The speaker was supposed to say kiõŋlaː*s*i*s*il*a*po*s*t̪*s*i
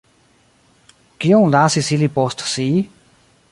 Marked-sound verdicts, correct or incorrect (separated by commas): correct, correct, incorrect, correct, correct